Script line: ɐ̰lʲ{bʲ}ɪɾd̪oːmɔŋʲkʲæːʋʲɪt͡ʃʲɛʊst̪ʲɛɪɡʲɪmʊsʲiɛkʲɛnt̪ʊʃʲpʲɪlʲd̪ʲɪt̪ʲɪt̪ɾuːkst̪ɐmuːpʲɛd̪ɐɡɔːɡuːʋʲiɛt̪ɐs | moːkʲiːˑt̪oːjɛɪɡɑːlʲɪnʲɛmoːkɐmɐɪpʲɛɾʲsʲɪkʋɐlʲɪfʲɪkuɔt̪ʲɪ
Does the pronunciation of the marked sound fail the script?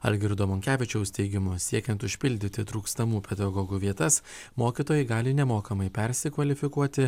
yes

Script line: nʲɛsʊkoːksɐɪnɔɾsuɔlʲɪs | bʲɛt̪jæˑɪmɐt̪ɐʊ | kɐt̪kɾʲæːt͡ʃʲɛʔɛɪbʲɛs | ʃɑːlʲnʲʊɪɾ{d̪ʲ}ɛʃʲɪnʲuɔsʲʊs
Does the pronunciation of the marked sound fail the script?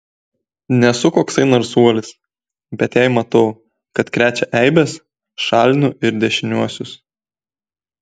no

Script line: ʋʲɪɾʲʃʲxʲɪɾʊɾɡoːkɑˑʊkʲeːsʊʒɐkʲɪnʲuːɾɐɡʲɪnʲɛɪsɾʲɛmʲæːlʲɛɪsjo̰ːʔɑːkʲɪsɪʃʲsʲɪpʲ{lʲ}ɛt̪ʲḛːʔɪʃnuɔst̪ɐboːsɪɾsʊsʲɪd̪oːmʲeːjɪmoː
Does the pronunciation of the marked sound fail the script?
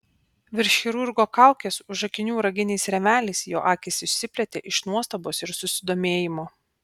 no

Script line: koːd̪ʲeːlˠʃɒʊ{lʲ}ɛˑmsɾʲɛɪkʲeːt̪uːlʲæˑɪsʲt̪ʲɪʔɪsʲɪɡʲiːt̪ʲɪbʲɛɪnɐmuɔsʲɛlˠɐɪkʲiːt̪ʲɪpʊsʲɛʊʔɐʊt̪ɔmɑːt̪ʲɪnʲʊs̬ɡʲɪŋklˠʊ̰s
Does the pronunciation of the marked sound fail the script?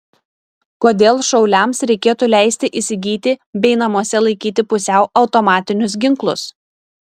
no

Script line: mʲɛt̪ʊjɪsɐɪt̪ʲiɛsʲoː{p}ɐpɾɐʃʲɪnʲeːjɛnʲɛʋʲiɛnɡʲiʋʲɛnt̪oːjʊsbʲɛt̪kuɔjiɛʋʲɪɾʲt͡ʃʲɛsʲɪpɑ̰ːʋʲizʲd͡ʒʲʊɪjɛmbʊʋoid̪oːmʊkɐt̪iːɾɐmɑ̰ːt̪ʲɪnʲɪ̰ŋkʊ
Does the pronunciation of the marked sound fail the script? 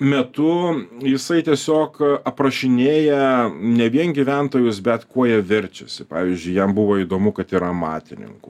yes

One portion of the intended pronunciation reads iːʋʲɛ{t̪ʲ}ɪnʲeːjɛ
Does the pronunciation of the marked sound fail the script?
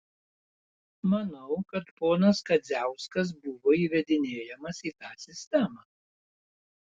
yes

